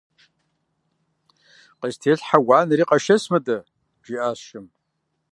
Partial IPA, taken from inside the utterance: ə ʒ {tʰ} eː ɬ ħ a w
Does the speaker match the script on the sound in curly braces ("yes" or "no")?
yes